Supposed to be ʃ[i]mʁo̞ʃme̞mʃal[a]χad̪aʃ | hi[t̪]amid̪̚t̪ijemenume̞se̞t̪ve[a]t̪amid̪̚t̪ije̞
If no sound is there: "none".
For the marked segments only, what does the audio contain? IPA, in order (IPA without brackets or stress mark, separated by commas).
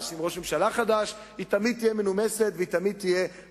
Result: i, a, t̪, i